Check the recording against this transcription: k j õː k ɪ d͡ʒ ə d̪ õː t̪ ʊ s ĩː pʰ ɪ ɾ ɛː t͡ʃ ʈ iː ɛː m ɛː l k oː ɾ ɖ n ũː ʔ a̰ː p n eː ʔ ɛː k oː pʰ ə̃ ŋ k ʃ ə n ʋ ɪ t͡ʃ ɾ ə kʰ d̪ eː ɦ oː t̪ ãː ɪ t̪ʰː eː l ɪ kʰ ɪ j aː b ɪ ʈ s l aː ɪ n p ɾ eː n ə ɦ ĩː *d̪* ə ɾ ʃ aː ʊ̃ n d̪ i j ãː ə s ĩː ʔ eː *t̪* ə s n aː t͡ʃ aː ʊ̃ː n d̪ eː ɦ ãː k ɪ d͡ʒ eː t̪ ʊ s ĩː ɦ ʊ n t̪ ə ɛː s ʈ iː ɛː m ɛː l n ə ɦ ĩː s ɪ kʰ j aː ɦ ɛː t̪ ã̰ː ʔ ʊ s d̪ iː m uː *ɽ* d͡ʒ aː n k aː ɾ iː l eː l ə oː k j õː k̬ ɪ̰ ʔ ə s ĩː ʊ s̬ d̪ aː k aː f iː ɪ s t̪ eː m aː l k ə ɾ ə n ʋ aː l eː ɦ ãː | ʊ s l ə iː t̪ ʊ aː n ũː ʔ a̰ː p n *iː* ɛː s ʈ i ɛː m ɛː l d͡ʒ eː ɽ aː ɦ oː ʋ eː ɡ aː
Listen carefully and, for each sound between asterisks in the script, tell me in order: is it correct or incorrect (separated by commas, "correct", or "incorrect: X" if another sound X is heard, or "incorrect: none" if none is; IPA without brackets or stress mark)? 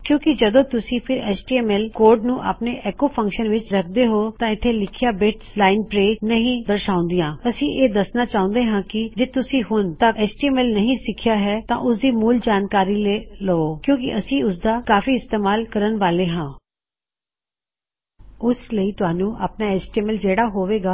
correct, incorrect: d̪, incorrect: l, incorrect: aː